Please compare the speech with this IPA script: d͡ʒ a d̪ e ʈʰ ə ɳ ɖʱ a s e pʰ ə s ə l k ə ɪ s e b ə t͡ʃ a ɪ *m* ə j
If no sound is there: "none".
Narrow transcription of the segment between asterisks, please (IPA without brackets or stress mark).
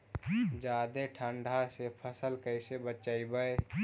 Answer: b